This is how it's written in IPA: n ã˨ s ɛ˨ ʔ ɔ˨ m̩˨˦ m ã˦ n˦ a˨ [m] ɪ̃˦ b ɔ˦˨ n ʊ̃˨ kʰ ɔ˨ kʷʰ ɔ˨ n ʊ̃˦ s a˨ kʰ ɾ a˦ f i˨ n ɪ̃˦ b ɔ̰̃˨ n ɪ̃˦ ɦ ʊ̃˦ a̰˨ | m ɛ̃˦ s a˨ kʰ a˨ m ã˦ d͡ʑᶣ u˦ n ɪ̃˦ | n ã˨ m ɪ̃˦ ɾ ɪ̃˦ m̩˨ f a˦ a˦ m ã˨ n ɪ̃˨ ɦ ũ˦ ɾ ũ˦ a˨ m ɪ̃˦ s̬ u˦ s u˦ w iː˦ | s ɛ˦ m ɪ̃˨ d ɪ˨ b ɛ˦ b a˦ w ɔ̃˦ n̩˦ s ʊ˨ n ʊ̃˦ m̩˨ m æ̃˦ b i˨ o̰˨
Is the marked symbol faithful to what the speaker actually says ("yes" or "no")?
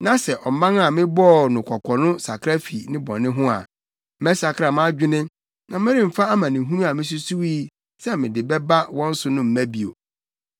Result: yes